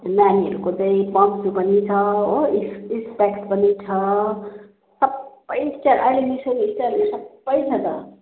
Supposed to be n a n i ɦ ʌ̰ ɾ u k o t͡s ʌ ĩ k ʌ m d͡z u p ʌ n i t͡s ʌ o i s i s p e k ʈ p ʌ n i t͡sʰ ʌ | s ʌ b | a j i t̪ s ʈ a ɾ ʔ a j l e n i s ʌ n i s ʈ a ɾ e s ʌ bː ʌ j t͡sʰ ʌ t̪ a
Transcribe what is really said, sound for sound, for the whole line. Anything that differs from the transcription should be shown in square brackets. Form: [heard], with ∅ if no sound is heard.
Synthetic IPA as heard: n a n i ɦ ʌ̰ ɾ u k o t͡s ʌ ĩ [p] ʌ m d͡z u p ʌ n i [t͡sʰ] ʌ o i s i s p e k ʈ p ʌ n i t͡sʰ ʌ | s ʌ b | [ʌ] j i [∅] s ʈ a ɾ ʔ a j l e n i s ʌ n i s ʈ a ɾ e s ʌ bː ʌ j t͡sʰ ʌ t̪ [ʌ]